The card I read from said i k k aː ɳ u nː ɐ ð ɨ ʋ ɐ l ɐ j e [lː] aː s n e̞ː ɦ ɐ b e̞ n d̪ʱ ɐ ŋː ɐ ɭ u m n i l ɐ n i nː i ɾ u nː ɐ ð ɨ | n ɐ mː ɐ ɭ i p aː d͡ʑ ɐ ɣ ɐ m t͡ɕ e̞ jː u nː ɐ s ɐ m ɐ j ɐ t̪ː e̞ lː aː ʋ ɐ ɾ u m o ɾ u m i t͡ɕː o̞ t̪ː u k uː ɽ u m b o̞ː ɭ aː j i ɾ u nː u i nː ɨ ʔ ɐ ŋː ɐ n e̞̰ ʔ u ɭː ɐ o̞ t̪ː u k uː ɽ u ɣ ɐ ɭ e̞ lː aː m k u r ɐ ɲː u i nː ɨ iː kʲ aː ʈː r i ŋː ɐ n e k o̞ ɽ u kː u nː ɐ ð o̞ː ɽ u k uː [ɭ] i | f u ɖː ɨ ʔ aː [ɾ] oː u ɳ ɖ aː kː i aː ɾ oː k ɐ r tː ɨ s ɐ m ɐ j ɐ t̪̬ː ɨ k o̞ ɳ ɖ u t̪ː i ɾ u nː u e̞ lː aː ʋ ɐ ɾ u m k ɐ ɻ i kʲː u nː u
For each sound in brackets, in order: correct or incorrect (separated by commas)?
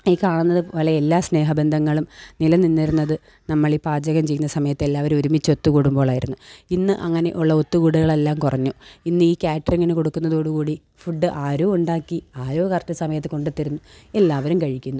correct, incorrect, correct